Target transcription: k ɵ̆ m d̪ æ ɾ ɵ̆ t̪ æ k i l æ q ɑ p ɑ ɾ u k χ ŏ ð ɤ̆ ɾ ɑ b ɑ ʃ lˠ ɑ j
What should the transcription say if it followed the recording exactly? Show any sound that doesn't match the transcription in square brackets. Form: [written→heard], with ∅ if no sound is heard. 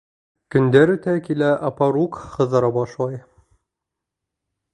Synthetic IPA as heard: k ɵ̆ [m→n] d̪ æ ɾ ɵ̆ t̪ æ k i l æ [q→ʔ] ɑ p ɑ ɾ u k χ [ŏ→ɤ̆] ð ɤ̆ ɾ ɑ b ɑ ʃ lˠ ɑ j